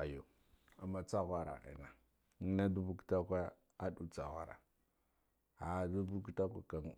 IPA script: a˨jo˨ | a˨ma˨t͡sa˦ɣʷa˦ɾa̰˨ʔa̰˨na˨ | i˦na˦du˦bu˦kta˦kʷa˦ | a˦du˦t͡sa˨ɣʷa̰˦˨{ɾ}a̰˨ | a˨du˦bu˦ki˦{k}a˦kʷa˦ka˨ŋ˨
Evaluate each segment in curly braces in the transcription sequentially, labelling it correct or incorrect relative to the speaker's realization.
correct, incorrect

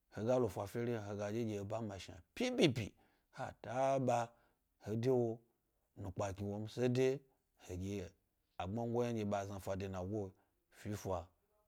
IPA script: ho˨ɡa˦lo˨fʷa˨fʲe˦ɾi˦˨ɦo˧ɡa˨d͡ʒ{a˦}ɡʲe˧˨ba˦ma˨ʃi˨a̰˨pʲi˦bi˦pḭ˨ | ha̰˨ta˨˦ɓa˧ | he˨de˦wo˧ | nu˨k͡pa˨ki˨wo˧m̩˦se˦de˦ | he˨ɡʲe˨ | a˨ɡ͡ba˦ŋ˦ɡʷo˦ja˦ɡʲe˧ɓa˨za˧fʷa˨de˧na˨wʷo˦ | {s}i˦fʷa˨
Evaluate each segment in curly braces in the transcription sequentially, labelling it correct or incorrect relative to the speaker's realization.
incorrect, incorrect

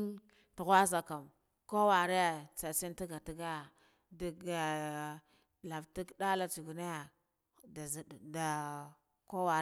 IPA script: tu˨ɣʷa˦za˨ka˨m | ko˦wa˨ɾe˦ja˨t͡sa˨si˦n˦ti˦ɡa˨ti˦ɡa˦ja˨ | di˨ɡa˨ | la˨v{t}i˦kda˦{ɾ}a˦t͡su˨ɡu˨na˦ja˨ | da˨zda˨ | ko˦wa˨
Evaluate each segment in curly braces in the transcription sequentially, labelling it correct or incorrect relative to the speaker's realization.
correct, incorrect

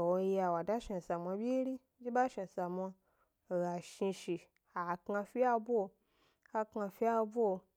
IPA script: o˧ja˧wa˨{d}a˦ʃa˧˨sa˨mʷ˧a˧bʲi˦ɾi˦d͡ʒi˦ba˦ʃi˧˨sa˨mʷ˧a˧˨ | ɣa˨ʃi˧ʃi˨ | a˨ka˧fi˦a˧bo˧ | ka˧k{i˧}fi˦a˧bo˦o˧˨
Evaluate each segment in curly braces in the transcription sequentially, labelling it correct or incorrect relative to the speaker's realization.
correct, incorrect

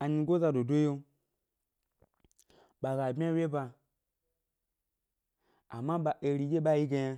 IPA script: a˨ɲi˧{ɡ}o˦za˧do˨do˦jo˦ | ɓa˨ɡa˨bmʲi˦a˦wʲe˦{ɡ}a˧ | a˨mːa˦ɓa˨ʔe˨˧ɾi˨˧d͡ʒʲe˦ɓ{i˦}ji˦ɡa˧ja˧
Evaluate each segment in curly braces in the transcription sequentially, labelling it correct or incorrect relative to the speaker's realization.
correct, incorrect, incorrect

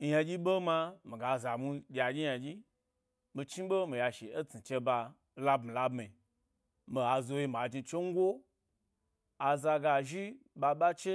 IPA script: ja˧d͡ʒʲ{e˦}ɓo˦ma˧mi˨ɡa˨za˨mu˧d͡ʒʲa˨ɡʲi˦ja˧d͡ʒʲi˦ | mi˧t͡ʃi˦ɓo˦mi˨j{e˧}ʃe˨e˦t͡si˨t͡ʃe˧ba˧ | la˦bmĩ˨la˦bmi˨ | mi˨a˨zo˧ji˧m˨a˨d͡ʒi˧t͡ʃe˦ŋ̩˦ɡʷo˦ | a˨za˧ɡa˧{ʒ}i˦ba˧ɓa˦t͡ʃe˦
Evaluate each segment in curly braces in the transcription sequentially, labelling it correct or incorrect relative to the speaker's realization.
incorrect, incorrect, correct

